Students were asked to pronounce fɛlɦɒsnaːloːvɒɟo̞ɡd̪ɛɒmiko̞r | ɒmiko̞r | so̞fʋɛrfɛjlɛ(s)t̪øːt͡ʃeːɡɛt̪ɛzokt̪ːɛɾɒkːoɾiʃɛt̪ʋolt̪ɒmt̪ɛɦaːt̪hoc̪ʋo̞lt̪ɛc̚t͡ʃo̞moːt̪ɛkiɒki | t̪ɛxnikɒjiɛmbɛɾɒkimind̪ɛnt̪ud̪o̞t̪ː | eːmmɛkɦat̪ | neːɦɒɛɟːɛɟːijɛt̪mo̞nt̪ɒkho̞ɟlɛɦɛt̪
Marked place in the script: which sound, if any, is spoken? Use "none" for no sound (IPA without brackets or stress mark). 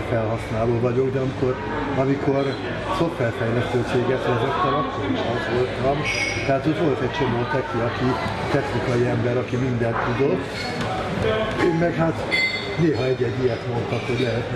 s